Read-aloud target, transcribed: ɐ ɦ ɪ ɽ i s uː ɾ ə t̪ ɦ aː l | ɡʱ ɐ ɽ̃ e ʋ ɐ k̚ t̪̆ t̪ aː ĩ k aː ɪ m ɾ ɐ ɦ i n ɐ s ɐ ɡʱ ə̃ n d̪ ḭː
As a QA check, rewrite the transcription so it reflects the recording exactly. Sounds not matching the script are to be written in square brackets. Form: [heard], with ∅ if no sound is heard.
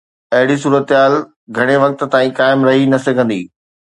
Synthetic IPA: ɐ ɦ ɪ ɽ i s uː ɾ ə t̪ ɦ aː l | ɡʱ ɐ ɽ̃ e ʋ ɐ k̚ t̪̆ t̪ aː ĩ k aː ɪ m ɾ ɐ ɦ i n ɐ s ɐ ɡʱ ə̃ n d̪ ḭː